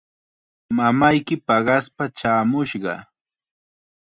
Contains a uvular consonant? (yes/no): yes